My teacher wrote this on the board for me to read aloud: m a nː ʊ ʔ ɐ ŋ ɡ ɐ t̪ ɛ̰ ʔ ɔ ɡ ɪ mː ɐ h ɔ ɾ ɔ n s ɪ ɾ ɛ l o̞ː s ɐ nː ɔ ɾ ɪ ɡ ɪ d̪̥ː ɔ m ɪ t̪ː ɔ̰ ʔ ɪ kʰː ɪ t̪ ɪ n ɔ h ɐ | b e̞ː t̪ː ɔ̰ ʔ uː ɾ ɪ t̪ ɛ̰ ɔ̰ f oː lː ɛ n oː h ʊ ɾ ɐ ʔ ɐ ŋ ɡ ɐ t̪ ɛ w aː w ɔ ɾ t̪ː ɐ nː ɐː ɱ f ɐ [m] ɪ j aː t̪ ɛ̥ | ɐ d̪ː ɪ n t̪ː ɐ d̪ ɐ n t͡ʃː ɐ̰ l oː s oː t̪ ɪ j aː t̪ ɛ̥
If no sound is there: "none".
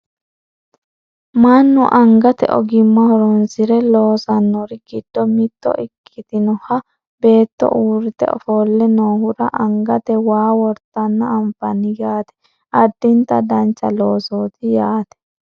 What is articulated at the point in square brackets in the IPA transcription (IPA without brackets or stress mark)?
n